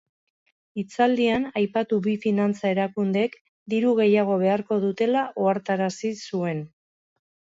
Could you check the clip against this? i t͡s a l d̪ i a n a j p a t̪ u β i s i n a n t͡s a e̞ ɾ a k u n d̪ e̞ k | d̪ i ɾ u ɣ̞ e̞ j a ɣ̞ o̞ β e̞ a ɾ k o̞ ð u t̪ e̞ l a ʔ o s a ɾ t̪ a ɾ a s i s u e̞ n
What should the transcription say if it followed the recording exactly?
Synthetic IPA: i t͡s a l d̪ i a n a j p a t̪ u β i f i n a n t͡s a e̞ ɾ a k u n d̪ e̞ k | d̪ i ɾ u ɣ̞ e̞ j a ɣ̞ o̞ β e̞ a ɾ k o̞ ð u t̪ e̞ l a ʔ o a ɾ t̪ a ɾ a s i s u e̞ n